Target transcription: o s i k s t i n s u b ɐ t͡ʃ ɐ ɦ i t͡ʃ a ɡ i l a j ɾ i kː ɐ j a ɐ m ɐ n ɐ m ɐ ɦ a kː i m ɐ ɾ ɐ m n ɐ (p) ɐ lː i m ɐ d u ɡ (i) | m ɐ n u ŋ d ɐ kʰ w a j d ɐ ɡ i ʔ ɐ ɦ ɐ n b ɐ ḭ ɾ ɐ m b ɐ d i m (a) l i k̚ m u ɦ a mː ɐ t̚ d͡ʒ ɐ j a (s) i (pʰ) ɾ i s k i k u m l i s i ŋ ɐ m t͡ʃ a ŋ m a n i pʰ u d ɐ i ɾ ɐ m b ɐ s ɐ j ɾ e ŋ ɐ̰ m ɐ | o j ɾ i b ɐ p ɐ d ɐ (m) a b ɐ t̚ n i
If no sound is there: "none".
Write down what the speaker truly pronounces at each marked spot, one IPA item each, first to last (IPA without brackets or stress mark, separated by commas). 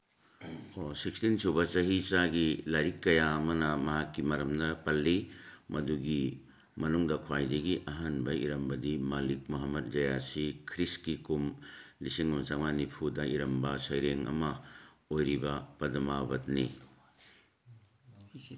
p, i, a, s, kʰ, m